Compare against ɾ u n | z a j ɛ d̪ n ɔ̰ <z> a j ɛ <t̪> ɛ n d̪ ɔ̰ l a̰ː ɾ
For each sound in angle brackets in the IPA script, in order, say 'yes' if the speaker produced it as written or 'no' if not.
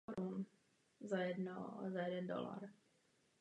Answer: yes, no

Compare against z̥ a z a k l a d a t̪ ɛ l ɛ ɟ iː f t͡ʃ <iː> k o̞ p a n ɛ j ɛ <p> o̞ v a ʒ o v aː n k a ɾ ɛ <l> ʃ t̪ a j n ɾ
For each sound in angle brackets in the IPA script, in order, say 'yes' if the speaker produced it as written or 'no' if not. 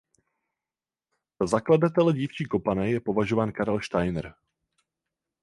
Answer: yes, yes, yes

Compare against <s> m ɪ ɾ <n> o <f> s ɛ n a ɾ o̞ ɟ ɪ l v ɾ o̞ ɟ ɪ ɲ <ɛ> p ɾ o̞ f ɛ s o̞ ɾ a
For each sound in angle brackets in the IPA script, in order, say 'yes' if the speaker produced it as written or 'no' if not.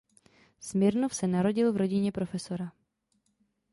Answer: yes, yes, yes, yes

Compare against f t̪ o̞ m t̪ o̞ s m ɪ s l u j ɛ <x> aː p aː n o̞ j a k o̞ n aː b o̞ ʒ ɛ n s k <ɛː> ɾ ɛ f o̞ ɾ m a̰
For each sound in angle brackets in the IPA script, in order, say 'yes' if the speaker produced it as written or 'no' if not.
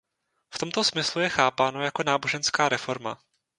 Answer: yes, no

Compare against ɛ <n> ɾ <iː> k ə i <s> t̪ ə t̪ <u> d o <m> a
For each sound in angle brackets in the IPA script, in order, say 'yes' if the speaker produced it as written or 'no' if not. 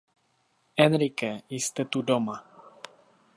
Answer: yes, no, yes, yes, yes

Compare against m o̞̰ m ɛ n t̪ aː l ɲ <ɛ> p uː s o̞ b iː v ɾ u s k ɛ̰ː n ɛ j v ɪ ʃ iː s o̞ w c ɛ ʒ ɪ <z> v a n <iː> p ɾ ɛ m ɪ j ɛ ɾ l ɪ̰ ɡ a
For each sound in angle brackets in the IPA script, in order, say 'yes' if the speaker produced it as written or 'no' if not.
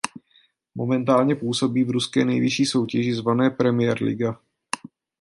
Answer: yes, yes, no

